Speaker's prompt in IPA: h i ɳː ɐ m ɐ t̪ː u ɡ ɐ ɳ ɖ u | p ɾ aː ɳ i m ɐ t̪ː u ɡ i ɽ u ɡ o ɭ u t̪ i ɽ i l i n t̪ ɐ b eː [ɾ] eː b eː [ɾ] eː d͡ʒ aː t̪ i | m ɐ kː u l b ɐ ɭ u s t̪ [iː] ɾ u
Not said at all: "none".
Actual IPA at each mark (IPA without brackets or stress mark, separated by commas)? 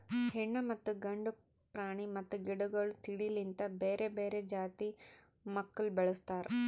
ɾ, ɾ, aː